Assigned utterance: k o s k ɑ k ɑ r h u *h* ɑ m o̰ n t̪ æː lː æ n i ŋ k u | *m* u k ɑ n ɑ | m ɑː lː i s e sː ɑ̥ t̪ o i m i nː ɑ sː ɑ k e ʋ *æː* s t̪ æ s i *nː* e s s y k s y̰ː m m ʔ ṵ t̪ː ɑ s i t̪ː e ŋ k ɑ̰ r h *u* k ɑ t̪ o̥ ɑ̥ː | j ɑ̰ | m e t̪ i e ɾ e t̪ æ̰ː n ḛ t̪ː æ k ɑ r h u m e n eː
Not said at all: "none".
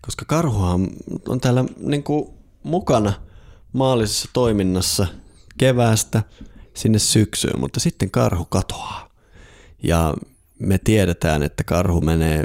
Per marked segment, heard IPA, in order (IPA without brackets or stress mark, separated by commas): h, m, æː, nː, u